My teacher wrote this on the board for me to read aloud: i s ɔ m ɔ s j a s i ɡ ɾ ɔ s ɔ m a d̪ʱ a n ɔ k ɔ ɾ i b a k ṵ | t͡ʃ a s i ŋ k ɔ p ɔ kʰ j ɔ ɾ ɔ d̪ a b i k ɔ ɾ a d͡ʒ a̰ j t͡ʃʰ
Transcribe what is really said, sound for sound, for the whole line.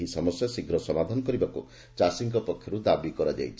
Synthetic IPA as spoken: i s ɔ m ɔ s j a s i ɡ ɾ ɔ s ɔ m a d̪ʱ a n ɔ k ɔ ɾ i b a k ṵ | t͡ʃ a s i ŋ k ɔ p ɔ kʰ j ɔ ɾ u d̪ a b i k ɔ ɾ a d͡ʒ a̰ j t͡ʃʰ